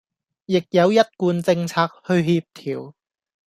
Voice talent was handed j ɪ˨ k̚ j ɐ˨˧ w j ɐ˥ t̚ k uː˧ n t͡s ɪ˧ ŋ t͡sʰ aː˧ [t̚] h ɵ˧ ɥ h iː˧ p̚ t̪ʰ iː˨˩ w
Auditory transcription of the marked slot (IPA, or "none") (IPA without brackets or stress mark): k̚